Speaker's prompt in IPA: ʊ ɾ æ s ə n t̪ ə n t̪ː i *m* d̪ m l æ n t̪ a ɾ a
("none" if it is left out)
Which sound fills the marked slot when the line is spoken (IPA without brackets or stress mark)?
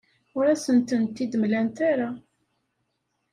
none